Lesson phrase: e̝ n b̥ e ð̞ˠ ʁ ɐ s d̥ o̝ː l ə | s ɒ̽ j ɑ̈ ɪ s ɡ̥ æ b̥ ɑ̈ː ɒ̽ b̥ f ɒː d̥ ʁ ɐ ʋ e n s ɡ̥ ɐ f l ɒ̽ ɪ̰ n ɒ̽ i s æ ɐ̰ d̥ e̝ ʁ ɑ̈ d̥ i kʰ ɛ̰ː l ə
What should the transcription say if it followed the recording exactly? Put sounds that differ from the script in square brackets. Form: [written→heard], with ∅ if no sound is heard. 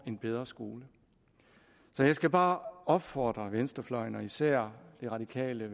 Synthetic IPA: e̝ n b̥ e ð̞ˠ ʁ ɐ s [d̥→ɡ̥] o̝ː l ə | s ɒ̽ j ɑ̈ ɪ s ɡ̥ æ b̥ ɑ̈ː ɒ̽ b̥ f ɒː d̥ ʁ ɐ ʋ e n s [ɡ̥→d̥] ɐ f l ɒ̽ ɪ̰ n ɒ̽ i s æ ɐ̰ d̥ e̝ ʁ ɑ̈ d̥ i kʰ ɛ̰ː l ə